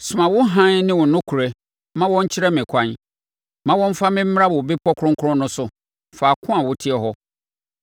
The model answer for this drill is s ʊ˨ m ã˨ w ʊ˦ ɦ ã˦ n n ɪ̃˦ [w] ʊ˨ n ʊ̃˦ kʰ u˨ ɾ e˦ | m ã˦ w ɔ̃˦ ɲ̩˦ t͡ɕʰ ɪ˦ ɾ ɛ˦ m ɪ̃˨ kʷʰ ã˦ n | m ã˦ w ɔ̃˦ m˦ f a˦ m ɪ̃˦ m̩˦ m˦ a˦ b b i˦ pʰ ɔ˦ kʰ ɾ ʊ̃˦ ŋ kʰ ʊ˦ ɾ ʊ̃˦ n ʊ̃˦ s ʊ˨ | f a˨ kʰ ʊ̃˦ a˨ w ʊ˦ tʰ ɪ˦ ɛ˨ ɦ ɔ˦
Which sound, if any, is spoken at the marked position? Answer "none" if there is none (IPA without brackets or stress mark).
w